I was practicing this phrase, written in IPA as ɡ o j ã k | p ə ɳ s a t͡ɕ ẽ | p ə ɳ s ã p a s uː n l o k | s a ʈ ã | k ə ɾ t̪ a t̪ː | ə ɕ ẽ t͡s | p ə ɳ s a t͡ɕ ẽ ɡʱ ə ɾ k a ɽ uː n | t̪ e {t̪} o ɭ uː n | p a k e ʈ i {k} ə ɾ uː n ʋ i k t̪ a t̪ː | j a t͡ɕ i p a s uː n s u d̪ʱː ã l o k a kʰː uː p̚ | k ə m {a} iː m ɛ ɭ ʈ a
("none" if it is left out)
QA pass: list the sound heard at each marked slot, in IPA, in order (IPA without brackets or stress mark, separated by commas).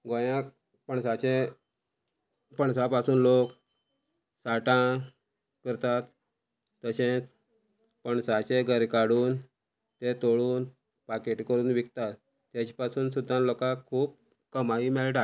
t̪, k, a